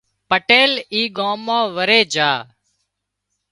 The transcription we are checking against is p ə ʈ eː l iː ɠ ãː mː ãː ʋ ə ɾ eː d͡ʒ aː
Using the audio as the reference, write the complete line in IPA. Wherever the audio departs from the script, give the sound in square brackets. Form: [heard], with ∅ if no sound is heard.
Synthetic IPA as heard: p ə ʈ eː l iː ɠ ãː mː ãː ʋ ə ɾ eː d͡ʒ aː